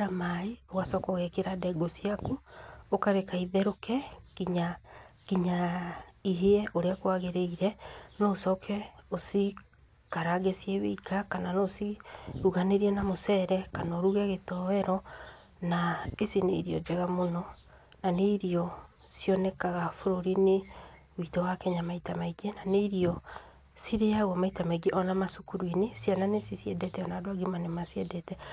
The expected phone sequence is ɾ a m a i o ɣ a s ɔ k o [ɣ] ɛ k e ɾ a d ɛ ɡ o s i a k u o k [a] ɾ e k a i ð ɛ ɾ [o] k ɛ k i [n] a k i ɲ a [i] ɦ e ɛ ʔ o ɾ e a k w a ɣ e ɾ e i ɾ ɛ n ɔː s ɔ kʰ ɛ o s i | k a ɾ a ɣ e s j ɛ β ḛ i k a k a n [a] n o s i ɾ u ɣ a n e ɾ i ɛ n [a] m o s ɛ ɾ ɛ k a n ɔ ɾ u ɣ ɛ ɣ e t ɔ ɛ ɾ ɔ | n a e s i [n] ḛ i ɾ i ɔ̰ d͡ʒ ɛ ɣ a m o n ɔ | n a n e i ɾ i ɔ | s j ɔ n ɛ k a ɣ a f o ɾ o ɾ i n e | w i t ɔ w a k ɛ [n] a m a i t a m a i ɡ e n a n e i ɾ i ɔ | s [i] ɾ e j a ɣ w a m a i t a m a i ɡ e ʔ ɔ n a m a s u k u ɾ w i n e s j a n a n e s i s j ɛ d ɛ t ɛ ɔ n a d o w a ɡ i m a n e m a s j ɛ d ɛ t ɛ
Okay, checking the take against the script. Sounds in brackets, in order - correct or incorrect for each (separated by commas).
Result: correct, correct, correct, incorrect, correct, correct, correct, correct, incorrect, correct